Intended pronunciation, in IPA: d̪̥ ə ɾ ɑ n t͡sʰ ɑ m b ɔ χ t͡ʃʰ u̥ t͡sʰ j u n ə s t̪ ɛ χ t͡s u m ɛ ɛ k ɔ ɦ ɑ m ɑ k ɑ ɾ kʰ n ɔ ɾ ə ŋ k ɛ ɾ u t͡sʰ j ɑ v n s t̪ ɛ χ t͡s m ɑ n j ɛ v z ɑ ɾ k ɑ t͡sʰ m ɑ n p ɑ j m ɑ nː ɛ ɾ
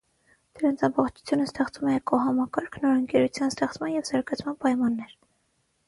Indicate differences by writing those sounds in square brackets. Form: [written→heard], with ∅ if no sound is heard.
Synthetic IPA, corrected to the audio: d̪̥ ə ɾ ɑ n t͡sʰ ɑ m b ɔ χ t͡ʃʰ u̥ t͡sʰ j u n ə s t̪ ɛ χ t͡s u m ɛ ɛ k ɔ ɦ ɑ m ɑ k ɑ ɾ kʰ n ɔ ɾ ə ŋ k ɛ ɾ u t͡sʰ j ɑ [v→∅] n s t̪ ɛ χ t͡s m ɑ n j ɛ v z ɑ ɾ [k→ɡ] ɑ t͡sʰ m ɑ n p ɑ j m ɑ nː ɛ ɾ

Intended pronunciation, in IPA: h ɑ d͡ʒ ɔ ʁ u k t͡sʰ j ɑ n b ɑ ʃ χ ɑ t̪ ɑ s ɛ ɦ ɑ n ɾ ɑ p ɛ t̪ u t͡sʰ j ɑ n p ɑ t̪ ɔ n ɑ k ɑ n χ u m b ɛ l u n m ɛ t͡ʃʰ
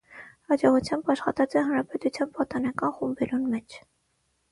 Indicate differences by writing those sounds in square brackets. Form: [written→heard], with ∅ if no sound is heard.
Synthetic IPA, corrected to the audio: h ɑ d͡ʒ ɔ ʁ u [k→∅] t͡sʰ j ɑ [n→m] b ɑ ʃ χ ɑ t̪ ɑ [s→t͡s] ɛ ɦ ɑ n ɾ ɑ p ɛ t̪ u t͡sʰ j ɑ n p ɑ t̪ ɔ n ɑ k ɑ n χ u m b ɛ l u n m ɛ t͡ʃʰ

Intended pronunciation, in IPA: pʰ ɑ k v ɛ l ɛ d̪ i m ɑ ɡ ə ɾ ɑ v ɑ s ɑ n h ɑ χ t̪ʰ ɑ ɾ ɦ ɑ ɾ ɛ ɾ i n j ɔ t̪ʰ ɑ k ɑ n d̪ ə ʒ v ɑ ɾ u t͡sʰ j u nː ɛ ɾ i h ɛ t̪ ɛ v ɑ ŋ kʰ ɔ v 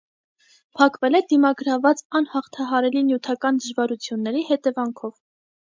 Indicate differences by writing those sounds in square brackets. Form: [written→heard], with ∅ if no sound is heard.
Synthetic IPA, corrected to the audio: pʰ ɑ k v ɛ l ɛ d̪ i m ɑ ɡ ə ɾ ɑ v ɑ [s→t͡s] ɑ n h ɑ χ t̪ʰ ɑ [ɾ→∅] ɦ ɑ ɾ ɛ [ɾ→l] i n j [ɔ→u] t̪ʰ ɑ k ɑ n d̪ ə ʒ v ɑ ɾ u t͡sʰ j u nː ɛ ɾ i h ɛ t̪ ɛ v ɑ ŋ kʰ ɔ v

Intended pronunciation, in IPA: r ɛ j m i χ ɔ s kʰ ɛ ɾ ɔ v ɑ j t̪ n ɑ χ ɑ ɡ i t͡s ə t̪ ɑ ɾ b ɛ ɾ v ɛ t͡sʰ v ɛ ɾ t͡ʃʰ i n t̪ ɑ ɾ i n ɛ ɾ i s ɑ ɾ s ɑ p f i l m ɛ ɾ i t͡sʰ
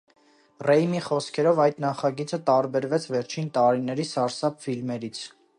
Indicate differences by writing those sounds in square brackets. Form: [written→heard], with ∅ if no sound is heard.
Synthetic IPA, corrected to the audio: r ɛ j m i χ ɔ s kʰ ɛ ɾ ɔ v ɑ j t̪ n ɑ χ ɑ ɡ i t͡s ə t̪ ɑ ɾ b ɛ ɾ v ɛ t͡sʰ v ɛ ɾ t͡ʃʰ i n t̪ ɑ ɾ i n ɛ ɾ i s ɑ ɾ s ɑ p f i l m ɛ ɾ i t͡sʰ

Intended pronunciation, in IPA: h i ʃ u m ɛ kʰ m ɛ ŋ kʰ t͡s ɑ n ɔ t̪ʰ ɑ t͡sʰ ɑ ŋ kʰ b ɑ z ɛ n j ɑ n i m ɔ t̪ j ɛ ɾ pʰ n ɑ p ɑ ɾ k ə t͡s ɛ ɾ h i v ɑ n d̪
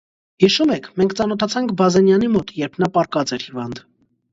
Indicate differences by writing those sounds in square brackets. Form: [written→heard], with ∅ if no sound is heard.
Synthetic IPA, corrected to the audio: h i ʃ u m ɛ kʰ m ɛ ŋ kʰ t͡s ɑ n ɔ t̪ʰ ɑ t͡sʰ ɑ ŋ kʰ b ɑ z ɛ n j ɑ n i m ɔ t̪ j ɛ ɾ pʰ n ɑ p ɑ ɾ k [ə→ɑ] t͡s ɛ ɾ h i v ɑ n d̪

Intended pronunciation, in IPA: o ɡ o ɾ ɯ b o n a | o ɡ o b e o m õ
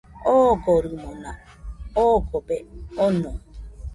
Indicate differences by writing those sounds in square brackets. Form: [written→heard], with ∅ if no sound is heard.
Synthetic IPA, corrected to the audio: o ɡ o ɾ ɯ [b→m] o n a | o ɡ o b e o [m→n] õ

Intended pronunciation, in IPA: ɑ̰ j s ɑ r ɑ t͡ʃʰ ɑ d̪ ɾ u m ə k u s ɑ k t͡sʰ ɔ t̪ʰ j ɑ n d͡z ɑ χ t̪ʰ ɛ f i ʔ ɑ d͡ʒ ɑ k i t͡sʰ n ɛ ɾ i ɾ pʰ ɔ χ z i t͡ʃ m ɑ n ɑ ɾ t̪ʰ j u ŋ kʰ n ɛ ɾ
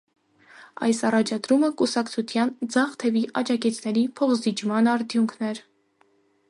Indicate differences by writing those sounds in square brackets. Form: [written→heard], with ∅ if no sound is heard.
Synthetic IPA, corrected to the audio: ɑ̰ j s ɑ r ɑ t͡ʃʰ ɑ d̪ ɾ u m ə k u s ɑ k t͡sʰ [ɔ→u] t̪ʰ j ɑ n d͡z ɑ χ t̪ʰ ɛ [f→v] i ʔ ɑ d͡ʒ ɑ k i t͡sʰ n ɛ ɾ i [ɾ→∅] pʰ ɔ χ z i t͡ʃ m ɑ n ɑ ɾ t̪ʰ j u ŋ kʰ n ɛ ɾ

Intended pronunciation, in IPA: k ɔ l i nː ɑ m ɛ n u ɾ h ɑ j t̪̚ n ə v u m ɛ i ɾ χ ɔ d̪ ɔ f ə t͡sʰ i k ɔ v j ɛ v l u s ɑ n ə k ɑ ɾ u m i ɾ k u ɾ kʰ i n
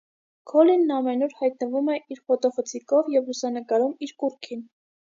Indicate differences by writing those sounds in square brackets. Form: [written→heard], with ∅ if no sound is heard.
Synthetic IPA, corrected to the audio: [k→kʰ] ɔ l i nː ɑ m ɛ n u ɾ h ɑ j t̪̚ n ə v u m ɛ i ɾ χ ɔ [d̪→t̪] ɔ f ə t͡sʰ i k ɔ v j ɛ v l u s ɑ n ə k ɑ ɾ u m i ɾ k u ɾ kʰ i n

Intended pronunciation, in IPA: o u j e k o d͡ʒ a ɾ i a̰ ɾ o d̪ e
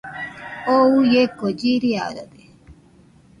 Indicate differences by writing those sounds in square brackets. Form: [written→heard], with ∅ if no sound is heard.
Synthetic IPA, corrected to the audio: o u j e k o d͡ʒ [a→i] ɾ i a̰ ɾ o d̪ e

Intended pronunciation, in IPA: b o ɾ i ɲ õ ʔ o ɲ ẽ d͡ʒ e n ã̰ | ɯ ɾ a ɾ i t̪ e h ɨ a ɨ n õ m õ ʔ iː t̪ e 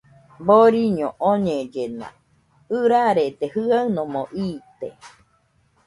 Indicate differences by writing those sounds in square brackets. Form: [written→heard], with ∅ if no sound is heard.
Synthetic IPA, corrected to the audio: b o ɾ i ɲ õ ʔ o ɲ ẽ d͡ʒ e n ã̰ | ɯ ɾ a ɾ [i→e] t̪ e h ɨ a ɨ n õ m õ ʔ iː t̪ e

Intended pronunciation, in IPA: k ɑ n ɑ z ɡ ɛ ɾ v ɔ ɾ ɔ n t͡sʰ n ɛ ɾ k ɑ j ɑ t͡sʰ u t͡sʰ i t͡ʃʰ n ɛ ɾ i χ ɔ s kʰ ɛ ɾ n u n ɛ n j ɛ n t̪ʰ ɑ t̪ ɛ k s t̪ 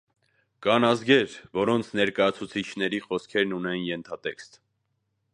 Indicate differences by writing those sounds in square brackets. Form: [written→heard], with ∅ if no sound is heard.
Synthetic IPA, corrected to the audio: k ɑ n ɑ z ɡ ɛ ɾ v ɔ ɾ ɔ n t͡sʰ n ɛ ɾ k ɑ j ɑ t͡sʰ u t͡sʰ i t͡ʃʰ n ɛ ɾ i χ ɔ s kʰ ɛ ɾ n u n ɛ n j ɛ n t̪ʰ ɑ t̪ ɛ k s t̪

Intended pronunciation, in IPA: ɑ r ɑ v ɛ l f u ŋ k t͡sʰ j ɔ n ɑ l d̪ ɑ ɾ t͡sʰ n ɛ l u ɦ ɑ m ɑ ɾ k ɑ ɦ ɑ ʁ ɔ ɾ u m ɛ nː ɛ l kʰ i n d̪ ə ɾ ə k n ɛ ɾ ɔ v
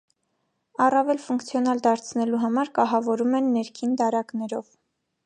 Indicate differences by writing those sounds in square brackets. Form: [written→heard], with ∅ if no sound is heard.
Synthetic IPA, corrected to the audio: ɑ r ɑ v ɛ l f u ŋ k t͡sʰ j ɔ n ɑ l d̪ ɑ ɾ t͡sʰ n ɛ l u ɦ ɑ m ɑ ɾ k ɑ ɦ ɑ [ʁ→v] ɔ ɾ u m ɛ nː ɛ [l→ɾ] kʰ i n d̪ [ə→ɑ] ɾ [ə→ɑ] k n ɛ ɾ ɔ v

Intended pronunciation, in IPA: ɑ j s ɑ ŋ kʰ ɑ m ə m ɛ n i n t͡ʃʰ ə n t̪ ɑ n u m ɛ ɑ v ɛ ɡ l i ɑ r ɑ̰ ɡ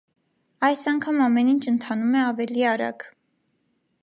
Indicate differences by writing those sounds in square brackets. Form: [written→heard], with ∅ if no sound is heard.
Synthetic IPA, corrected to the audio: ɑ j s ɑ ŋ kʰ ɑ m [ə→ɑ] m ɛ n i n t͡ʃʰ ə n [t̪→t̪ʰ] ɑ n u m ɛ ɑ v ɛ [ɡ→∅] l i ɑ [r→ɾ] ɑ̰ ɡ

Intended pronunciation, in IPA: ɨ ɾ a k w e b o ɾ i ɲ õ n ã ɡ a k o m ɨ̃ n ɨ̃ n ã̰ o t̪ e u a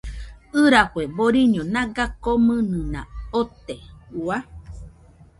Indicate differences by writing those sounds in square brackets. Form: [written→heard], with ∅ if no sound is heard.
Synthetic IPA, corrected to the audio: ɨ ɾ a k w e b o ɾ i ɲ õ n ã ɡ a k o m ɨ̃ n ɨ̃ n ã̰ o t̪ e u a

